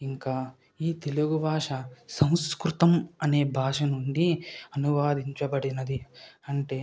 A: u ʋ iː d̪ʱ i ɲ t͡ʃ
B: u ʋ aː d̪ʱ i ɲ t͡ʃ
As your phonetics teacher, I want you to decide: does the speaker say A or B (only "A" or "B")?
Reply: B